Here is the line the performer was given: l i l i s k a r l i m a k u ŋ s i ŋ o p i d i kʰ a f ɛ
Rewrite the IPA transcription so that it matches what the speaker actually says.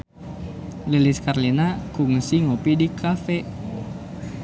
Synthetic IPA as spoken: l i l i s k a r l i n a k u ŋ s i ŋ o p i d i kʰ a f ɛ